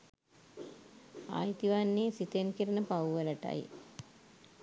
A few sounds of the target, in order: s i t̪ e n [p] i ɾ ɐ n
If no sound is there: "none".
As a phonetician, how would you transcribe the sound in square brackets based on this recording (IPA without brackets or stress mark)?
k